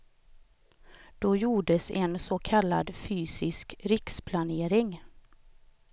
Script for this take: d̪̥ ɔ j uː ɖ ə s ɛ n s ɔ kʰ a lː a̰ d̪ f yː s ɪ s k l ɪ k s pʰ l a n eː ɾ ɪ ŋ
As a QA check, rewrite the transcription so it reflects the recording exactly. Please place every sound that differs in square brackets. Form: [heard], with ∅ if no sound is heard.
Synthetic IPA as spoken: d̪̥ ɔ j uː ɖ ə s ɛ n s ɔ kʰ a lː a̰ d̪ f yː s ɪ s k [ɾ] ɪ k s pʰ l a n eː ɾ ɪ ŋ

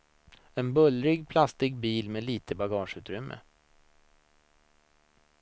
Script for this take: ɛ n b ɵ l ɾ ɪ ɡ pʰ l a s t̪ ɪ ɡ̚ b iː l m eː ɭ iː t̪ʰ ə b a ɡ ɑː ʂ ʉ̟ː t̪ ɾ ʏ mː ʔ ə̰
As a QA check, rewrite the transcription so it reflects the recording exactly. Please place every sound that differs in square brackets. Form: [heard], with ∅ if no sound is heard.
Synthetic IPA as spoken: ɛ n b ɵ l ɾ ɪ ɡ pʰ l a s t̪ ɪ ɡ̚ b iː l m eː [l] iː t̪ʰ ə b a ɡ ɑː ʂ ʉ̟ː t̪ ɾ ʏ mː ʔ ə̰

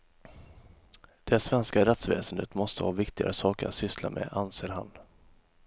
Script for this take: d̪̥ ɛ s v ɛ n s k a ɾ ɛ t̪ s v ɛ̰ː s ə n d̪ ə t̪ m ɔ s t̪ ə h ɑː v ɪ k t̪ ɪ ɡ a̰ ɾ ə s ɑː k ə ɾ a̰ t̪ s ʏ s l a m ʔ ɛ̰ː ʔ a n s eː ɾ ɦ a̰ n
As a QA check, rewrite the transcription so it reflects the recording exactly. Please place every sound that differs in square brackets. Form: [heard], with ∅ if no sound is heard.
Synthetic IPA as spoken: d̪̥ ɛ s v ɛ n s k a ɾ ɛ t̪ s v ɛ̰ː s ə n d̪ ə t̪ m ɔ s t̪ ə h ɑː v ɪ k t̪ ɪ ɡ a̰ ɾ ə s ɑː k ə ɾ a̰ t̪ s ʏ s l a m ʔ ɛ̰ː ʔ a n s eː ɾ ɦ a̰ n

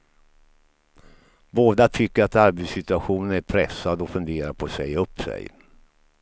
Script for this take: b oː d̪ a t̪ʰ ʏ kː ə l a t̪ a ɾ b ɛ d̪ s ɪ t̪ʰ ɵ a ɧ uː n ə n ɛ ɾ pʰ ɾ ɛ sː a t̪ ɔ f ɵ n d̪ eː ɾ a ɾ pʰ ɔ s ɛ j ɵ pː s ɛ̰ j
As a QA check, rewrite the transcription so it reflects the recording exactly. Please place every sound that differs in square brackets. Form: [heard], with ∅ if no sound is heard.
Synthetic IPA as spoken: b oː d̪ a t̪ʰ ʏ kː ə [ɾ] a t̪ a ɾ b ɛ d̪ s ɪ [t̪] ɵ a ɧ uː n ə n [æ] ɾ pʰ ɾ ɛ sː a [d̪] ɔ f ɵ n d̪ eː ɾ a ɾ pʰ ɔ s ɛ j ɵ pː s ɛ̰ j

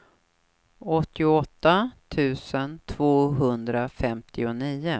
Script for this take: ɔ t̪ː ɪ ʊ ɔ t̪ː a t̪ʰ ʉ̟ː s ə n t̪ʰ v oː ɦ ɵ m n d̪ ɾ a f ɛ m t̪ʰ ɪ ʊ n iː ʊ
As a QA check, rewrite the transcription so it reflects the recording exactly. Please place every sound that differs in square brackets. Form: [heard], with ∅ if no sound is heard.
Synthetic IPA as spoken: ɔ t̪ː ɪ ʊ ɔ t̪ː a t̪ʰ ʉ̟ː s ə n t̪ʰ v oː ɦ ɵ [∅] n d̪ ɾ a f ɛ m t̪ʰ ɪ ʊ n iː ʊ

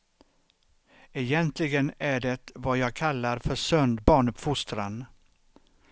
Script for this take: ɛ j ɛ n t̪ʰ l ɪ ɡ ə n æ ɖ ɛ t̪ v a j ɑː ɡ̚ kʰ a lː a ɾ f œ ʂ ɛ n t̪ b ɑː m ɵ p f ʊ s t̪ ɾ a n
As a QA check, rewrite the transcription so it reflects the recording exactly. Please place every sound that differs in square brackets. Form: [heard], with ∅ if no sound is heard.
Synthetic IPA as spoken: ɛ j ɛ n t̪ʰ l ɪ ɡ ə n æ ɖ ɛ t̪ v a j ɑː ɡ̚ kʰ a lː a ɾ f œ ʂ [œ] n [d̪] b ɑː [ɳ] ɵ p f ʊ s t̪ ɾ a n

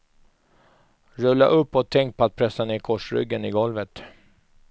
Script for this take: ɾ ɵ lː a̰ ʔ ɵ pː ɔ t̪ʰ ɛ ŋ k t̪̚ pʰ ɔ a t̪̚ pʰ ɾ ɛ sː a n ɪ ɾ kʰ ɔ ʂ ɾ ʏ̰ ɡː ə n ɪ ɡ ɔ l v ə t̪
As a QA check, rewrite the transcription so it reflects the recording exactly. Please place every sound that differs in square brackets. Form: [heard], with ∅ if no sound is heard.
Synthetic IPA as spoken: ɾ ɵ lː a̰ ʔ ɵ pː ɔ t̪ʰ ɛ ŋ k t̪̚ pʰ ɔ a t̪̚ pʰ ɾ ɛ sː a n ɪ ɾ kʰ ɔ ʂ ɾ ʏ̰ ɡː ə n ɪ ɡ ɔ l v ə t̪

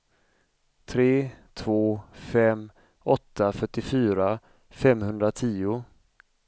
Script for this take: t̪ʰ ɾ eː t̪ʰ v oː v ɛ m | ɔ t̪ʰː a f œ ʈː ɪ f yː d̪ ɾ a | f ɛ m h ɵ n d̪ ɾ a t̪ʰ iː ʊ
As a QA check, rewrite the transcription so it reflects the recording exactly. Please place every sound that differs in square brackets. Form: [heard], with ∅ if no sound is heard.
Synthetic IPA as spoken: t̪ʰ ɾ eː t̪ʰ v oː [f] ɛ m | ɔ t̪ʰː a f œ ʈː ɪ f yː [∅] ɾ a | f ɛ m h ɵ n d̪ ɾ a t̪ʰ iː ʊ

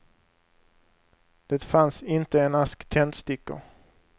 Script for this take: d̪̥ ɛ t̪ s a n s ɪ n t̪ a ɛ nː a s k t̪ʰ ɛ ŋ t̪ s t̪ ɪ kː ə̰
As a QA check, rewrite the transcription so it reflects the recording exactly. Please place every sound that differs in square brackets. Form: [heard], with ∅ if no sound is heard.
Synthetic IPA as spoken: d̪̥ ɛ t̪ [f] a n s ɪ n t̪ [ə] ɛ [n] a s k t̪ʰ ɛ [n] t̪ s t̪ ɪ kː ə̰

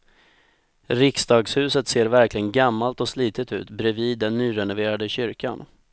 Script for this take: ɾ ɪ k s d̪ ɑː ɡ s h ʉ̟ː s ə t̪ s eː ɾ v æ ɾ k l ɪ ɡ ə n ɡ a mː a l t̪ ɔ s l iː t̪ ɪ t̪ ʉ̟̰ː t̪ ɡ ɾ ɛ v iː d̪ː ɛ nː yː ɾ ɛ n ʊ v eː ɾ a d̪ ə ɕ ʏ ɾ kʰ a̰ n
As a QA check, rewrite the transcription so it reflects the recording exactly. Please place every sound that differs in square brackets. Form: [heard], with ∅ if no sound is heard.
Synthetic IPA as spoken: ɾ ɪ k s d̪ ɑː ɡ s h ʉ̟ː s ə t̪ s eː ɾ v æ ɾ k l ɪ ɡ ə n ɡ a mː a l t̪ ɔ s l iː t̪ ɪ t̪ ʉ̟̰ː t̪ [b] ɾ ɛ v iː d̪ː ɛ nː yː ɾ ɛ n ʊ v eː ɾ a d̪ ə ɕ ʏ ɾ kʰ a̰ n

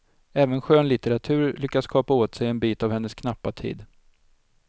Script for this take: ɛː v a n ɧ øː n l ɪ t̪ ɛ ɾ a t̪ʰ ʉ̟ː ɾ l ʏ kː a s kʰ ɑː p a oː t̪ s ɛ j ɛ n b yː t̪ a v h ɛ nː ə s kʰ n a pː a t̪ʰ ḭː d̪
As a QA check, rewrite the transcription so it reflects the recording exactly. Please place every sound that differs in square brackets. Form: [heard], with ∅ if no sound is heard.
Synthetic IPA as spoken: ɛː v [ə] n ɧ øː n l ɪ t̪ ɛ ɾ a t̪ʰ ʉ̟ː ɾ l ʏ kː a s kʰ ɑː p a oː t̪ s ɛ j ɛ n b [iː] t̪ a v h ɛ nː ə s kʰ n a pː a t̪ʰ ḭː d̪

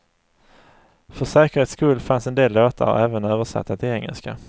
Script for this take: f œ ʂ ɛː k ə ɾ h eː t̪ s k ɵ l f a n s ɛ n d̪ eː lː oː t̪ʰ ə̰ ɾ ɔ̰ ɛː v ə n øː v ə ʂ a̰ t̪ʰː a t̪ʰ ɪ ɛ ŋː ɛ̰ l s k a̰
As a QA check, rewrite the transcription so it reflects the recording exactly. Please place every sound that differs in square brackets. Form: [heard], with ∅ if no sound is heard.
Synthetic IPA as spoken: f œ ʂ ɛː k ə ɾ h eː t̪ s k ɵ l f a n s ɛ n d̪ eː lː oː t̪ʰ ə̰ ɾ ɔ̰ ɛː v ə n øː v ə ʂ a̰ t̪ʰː a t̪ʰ ɪ ɛ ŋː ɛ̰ l s k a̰

